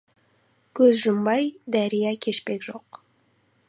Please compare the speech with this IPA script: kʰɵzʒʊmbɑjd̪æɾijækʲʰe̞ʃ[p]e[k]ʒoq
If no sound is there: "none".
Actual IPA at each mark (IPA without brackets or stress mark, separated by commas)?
p, k